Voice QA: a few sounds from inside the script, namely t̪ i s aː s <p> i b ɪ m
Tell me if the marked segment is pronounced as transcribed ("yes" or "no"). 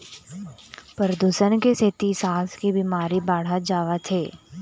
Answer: no